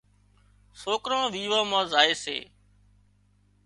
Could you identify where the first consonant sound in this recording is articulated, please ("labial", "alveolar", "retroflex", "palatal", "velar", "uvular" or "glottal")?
alveolar